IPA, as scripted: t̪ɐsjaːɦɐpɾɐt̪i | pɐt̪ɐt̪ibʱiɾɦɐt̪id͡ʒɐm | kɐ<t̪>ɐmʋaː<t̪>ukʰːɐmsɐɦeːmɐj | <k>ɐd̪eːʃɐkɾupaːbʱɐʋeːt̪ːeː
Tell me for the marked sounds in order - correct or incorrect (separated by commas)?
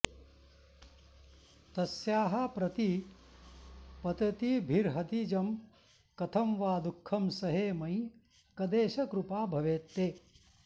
incorrect, incorrect, correct